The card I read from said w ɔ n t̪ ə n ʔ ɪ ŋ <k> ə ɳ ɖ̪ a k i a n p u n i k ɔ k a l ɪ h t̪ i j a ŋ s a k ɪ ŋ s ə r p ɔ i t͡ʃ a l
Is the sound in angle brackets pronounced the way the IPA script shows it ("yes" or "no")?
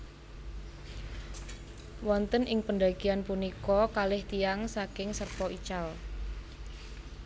no